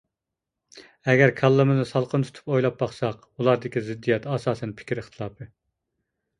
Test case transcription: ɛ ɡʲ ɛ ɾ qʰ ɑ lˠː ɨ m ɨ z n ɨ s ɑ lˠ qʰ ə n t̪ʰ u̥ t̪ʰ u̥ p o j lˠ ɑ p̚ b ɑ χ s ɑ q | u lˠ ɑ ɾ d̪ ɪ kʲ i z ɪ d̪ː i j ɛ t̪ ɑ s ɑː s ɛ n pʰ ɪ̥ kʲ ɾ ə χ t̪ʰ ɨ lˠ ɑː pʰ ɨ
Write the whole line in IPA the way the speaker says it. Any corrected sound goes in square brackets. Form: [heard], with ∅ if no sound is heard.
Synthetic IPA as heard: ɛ ɡʲ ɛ ɾ [kʰ] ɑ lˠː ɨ m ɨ z n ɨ s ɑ lˠ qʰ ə n t̪ʰ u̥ t̪ʰ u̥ p o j lˠ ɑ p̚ b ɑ χ s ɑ q | u lˠ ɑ ɾ d̪ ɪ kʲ i z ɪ d̪ː i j ɛ t̪ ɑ s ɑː s ɛ n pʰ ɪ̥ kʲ ɾ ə χ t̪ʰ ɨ lˠ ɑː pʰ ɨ